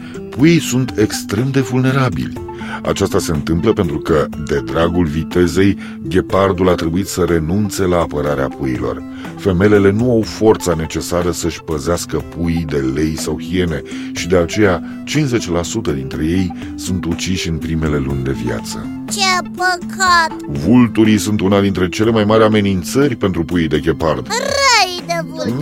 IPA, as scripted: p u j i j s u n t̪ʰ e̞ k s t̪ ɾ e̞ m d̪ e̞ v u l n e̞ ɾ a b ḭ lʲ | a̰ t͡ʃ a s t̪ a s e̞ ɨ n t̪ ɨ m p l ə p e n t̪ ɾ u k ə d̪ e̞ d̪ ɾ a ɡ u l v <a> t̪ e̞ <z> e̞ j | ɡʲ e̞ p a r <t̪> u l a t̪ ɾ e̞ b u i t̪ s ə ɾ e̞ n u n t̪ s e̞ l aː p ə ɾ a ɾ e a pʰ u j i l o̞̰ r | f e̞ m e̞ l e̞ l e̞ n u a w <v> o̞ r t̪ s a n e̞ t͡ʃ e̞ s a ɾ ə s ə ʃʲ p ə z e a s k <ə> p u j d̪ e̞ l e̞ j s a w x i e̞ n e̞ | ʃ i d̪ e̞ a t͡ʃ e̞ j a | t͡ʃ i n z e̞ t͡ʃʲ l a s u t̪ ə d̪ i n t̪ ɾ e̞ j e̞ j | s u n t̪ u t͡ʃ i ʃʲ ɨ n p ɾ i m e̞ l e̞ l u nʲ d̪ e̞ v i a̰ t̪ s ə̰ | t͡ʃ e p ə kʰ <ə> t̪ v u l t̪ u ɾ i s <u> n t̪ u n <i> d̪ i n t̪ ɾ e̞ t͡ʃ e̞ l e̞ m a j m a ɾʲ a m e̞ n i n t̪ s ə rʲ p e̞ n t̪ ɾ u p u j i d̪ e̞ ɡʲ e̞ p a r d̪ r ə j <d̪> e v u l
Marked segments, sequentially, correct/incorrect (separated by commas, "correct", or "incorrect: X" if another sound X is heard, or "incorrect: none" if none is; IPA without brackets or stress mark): incorrect: i, correct, incorrect: d̪, incorrect: f, correct, incorrect: a, correct, incorrect: a, correct